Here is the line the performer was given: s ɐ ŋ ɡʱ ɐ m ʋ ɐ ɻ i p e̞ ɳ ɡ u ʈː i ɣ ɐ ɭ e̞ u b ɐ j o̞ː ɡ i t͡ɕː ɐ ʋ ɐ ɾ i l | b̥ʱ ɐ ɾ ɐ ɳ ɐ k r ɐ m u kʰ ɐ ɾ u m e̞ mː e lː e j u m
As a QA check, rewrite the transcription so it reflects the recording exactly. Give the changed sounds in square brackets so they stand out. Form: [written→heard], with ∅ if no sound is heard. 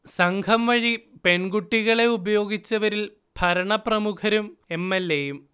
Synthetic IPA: s ɐ ŋ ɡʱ ɐ m ʋ ɐ ɻ i p e̞ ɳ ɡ u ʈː i ɣ ɐ ɭ e̞ u b ɐ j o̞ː ɡ i t͡ɕː ɐ ʋ ɐ ɾ i l | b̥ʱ ɐ ɾ ɐ ɳ ɐ [k→p] r ɐ m u kʰ ɐ ɾ u m e̞ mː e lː e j u m